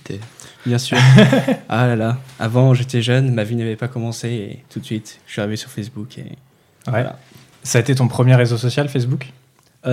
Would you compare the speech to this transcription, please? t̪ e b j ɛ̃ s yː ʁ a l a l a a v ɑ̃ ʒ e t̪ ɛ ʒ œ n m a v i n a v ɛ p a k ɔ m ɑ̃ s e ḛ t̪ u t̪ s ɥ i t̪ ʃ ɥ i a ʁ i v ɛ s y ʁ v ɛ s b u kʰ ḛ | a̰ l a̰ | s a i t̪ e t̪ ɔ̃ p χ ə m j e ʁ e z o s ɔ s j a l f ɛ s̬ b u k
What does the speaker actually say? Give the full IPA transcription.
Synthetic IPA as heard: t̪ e b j ɛ̃ s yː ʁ a l a l a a v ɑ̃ ʒ e t̪ ɛ ʒ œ n m a v i n a v ɛ p a k ɔ m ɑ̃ s e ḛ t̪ u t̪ s ɥ i t̪ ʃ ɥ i a ʁ i v e s y ʁ f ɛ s b u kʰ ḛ | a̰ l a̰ | s a e t̪ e t̪ ɔ̃ p χ ə m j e ʁ e z o s ɔ s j a l f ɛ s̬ b u k